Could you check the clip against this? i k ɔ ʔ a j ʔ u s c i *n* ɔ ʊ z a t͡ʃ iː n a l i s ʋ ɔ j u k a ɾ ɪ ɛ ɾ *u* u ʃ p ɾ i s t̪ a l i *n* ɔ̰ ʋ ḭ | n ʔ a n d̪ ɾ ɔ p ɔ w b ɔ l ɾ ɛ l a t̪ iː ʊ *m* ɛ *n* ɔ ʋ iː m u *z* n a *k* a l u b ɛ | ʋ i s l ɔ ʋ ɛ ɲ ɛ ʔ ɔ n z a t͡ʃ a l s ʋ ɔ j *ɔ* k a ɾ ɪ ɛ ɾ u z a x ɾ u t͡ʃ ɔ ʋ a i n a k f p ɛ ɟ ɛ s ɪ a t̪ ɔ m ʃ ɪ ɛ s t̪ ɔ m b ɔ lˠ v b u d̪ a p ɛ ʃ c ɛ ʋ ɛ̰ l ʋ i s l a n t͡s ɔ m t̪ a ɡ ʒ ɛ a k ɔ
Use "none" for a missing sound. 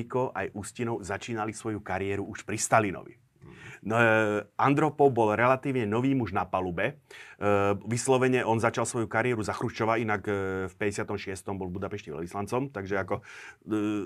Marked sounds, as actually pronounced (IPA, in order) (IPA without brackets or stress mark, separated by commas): n, u, n, ɲ, n, ʒ, p, u